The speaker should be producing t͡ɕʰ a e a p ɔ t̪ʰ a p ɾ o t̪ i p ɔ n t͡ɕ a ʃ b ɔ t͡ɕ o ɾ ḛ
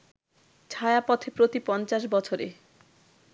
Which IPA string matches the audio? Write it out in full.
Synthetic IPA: t͡ɕʰ a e a p ɔ t̪ʰ e p ɾ o t̪ i p ɔ n t͡ɕ a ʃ b ɔ t͡ɕʰ o ɾ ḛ